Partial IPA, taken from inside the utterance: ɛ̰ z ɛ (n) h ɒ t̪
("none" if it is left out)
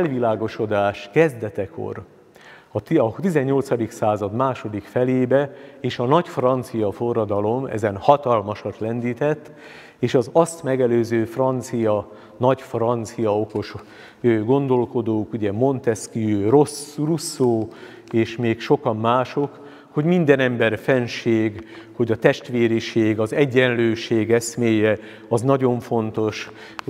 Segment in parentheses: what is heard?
n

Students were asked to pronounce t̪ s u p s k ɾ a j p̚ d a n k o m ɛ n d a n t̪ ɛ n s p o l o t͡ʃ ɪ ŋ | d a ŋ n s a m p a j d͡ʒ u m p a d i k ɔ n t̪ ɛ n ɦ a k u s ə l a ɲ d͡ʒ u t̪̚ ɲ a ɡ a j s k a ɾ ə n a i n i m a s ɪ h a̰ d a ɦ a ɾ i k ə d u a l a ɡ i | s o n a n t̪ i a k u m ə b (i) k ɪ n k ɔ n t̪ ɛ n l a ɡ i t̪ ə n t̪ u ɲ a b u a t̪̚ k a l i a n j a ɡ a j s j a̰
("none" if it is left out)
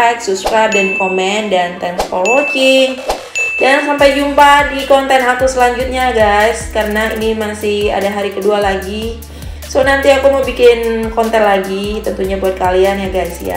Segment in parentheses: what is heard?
i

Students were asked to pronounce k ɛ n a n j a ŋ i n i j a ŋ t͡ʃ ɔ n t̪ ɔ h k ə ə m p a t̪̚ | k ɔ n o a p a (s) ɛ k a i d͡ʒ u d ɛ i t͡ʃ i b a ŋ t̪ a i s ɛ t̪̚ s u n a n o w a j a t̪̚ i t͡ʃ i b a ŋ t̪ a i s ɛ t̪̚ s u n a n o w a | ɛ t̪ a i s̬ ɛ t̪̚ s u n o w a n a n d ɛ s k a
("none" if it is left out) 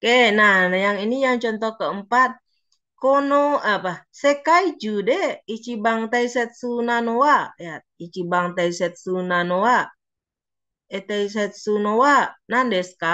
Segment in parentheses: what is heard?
s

